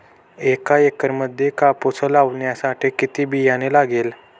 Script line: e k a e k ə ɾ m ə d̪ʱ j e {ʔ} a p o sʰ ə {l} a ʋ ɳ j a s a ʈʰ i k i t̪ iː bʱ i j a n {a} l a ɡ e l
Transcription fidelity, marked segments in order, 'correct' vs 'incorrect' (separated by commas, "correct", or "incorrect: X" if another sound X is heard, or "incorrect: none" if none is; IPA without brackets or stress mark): incorrect: k, correct, incorrect: e